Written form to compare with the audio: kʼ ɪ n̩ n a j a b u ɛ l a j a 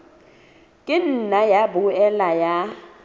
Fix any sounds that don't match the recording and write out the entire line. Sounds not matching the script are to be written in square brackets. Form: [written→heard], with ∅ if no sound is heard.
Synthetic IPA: kʼ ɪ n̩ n a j a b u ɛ l a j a